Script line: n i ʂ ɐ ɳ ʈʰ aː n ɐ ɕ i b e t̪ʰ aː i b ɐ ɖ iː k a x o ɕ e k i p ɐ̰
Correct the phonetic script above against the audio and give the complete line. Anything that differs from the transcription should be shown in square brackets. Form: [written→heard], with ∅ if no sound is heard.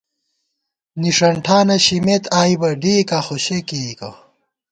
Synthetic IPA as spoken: n i ʂ ɐ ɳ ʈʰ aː n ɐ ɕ i [b→m] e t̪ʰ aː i b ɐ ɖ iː k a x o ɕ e k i [p→k] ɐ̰

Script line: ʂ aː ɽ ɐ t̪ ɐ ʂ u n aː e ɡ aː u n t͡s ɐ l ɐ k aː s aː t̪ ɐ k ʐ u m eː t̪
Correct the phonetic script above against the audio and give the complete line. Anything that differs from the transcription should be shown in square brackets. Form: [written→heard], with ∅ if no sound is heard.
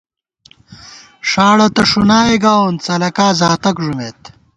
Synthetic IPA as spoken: ʂ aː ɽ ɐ t̪ ɐ ʂ u n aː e ɡ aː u n t͡s ɐ l ɐ k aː [s→z] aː t̪ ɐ k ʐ u m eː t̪

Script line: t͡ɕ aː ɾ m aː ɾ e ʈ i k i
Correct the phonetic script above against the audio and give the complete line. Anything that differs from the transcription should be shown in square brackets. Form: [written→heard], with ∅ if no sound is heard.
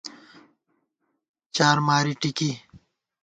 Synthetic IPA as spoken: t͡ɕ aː ɾ m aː ɾ [e→i] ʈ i k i

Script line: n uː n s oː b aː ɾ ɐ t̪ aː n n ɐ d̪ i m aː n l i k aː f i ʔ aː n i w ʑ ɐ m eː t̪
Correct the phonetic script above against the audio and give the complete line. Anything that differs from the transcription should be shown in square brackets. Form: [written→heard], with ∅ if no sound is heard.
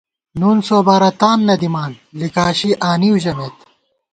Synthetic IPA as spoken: n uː n s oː b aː ɾ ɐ t̪ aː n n ɐ d̪ i m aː n l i k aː [f→ɕ] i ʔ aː n i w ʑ ɐ m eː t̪

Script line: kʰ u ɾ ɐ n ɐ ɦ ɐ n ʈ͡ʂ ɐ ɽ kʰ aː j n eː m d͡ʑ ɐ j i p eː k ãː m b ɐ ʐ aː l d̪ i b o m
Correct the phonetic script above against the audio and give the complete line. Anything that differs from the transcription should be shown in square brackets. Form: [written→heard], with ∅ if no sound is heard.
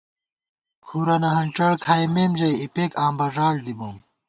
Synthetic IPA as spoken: kʰ u ɾ ɐ n ɐ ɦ ɐ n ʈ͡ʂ ɐ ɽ kʰ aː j [n→m] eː m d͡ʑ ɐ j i p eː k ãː m b ɐ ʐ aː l d̪ i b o m

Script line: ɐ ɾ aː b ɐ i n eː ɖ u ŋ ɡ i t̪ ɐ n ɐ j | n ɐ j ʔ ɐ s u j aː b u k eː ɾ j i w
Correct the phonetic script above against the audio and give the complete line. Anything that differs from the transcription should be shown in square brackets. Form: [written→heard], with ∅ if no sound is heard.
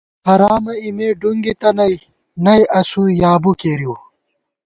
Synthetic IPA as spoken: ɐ ɾ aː [b→m] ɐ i [n→m] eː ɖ u ŋ ɡ i t̪ ɐ n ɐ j | n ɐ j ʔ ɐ s u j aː b u k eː ɾ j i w

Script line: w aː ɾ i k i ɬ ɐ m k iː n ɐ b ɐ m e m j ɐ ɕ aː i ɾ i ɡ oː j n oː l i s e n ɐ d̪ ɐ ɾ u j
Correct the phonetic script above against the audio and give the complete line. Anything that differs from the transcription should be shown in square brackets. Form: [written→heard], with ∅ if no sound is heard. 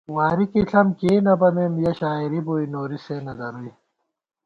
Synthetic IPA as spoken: w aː ɾ i k i ɬ ɐ m k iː n ɐ b ɐ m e m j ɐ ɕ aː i ɾ i [ɡ→b] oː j n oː [l→ɾ] i s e n ɐ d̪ ɐ ɾ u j

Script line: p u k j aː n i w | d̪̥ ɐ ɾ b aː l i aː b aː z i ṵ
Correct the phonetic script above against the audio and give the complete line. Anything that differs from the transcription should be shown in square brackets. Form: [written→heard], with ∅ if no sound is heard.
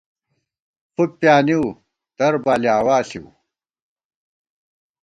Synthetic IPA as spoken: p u [k→p] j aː n i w | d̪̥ ɐ ɾ b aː l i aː [b→w] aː [z→s] i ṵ

